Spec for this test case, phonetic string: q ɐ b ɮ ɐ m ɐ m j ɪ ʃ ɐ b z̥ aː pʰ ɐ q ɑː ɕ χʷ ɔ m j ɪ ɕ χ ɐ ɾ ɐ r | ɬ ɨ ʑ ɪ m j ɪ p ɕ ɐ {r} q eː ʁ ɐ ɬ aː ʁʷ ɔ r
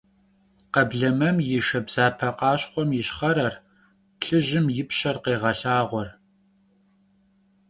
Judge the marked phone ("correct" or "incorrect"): correct